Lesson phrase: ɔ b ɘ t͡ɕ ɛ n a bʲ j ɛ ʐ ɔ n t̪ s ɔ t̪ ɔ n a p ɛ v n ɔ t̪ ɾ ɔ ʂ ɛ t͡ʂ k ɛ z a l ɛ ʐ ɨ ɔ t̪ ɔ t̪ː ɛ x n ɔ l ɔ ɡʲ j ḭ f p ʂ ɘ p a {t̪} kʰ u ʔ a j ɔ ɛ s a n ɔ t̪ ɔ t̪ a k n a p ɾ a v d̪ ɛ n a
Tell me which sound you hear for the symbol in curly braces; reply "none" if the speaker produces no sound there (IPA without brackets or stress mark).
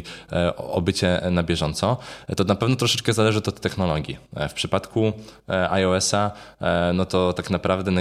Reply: t̪